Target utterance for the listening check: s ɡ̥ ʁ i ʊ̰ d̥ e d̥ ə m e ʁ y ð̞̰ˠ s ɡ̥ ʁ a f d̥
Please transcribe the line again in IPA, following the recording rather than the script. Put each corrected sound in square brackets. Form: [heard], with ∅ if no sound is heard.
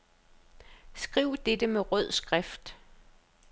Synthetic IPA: s ɡ̥ ʁ i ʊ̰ d̥ e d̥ ə m e ʁ [œ] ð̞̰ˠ s ɡ̥ ʁ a f d̥